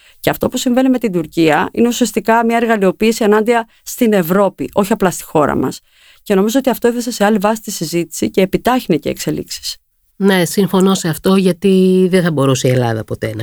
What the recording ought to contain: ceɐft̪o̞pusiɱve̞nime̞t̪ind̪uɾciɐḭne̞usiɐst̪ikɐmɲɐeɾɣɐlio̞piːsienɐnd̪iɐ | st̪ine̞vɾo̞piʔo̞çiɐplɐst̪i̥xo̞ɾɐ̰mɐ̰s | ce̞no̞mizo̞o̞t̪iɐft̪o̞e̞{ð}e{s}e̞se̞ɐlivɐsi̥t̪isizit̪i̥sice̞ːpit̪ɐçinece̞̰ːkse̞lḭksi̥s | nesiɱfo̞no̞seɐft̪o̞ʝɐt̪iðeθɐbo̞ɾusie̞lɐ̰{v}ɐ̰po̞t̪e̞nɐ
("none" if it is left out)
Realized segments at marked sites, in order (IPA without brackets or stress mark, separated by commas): θ, s, ð